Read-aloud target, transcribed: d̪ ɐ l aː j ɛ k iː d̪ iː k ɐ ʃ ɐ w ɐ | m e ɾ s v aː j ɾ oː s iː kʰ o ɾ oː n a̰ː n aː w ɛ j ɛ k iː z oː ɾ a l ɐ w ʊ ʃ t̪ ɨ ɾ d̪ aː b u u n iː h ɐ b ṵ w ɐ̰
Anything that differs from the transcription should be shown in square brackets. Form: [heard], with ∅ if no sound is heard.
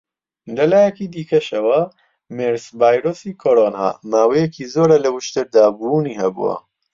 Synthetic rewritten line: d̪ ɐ l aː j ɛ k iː d̪ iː k ɐ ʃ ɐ w ɐ | m e ɾ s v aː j ɾ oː s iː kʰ o ɾ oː n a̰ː [m] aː w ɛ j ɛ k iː z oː ɾ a l ɐ w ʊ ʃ t̪ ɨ ɾ d̪ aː b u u n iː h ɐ b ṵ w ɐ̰